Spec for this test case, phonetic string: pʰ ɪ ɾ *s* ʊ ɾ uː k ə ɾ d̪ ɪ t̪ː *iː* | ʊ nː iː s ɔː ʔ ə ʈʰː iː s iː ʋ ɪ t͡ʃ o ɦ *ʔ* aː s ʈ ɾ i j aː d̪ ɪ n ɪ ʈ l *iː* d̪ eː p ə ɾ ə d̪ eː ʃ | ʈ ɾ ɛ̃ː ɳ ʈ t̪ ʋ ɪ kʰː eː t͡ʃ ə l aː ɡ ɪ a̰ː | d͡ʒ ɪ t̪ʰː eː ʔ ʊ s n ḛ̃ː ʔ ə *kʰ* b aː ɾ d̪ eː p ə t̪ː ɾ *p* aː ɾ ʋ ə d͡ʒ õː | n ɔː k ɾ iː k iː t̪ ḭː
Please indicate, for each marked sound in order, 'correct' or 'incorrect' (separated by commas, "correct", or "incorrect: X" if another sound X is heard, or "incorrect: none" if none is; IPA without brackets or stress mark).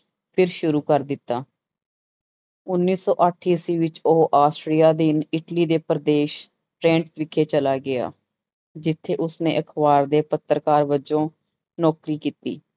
incorrect: ʃ, incorrect: aː, correct, correct, correct, incorrect: k